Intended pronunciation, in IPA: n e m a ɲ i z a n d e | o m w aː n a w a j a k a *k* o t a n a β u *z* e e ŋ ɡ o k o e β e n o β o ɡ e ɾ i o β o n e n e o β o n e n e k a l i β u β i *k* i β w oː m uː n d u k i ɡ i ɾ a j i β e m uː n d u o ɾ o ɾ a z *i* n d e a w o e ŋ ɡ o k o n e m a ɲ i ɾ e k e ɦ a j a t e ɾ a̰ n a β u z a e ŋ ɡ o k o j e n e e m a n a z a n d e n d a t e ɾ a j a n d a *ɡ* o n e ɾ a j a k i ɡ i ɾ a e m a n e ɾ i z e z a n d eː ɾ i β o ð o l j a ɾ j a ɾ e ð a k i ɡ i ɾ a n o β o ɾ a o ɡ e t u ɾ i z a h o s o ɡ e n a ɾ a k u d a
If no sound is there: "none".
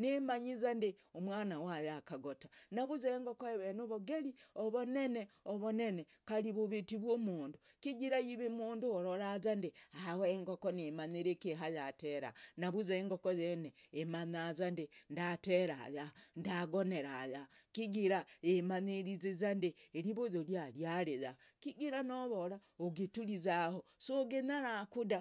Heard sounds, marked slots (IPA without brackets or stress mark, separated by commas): ɡ, z, t, a, ɡ